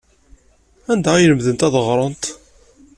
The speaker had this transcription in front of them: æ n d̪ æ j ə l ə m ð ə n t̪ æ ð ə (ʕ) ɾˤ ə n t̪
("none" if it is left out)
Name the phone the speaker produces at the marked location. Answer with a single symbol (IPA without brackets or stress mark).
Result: ʁ